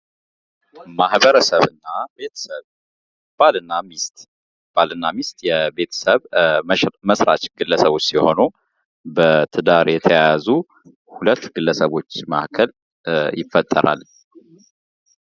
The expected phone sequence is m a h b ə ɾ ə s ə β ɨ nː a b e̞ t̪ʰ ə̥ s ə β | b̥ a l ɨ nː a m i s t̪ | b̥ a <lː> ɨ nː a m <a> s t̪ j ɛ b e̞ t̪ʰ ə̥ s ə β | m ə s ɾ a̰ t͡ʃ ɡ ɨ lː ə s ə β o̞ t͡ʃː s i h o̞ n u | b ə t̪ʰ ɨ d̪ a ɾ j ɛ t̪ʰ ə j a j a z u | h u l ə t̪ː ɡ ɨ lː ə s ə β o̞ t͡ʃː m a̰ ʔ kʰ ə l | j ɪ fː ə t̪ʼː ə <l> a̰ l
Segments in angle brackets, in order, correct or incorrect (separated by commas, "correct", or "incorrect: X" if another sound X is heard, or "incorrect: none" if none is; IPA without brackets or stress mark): incorrect: l, incorrect: i, incorrect: ɾ